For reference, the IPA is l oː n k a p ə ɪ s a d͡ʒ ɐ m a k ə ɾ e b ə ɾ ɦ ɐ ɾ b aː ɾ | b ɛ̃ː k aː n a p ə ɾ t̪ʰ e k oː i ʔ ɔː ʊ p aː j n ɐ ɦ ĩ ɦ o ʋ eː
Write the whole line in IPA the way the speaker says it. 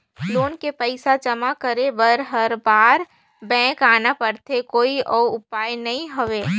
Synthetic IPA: l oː n k e p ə ɪ s a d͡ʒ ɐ m a k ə ɾ e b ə ɾ ɦ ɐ ɾ b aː ɾ | b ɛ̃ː k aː n a p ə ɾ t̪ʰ e k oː i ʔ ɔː ʊ p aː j n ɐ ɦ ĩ ɦ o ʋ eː